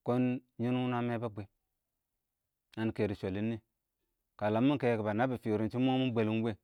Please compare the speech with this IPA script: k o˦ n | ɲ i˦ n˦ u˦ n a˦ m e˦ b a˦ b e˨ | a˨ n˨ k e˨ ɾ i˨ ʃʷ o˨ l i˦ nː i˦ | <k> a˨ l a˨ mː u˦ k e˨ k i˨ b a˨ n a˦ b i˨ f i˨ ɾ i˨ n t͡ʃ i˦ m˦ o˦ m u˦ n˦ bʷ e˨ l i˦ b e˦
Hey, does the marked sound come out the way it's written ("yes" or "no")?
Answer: yes